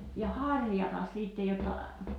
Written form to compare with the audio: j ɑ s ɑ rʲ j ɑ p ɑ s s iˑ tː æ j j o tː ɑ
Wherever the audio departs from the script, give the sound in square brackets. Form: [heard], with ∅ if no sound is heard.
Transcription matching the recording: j ɑ [h] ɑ rʲ j ɑ [t] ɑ s s iˑ tː [e] j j o tː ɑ